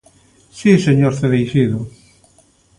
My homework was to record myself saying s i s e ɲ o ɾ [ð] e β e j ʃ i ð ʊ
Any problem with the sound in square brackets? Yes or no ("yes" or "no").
yes